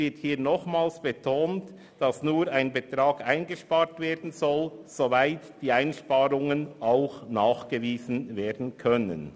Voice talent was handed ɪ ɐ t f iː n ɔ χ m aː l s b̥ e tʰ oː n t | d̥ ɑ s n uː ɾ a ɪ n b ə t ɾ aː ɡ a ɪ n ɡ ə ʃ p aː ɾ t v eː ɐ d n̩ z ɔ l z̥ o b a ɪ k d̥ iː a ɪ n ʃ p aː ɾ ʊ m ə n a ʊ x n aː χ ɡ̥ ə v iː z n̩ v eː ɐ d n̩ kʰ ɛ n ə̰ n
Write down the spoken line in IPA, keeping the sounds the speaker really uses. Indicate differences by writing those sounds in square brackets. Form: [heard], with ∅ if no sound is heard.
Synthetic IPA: ɪ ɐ t [h] iː n ɔ χ m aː l s b̥ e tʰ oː n t | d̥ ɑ s n uː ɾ a ɪ n b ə t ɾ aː ɡ a ɪ n ɡ ə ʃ p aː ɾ t v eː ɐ d n̩ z ɔ l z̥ o [v] a ɪ [t] d̥ iː a ɪ n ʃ p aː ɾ ʊ [ŋ] ə n a ʊ x n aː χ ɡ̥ ə v iː z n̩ v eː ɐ d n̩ kʰ [œ] n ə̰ n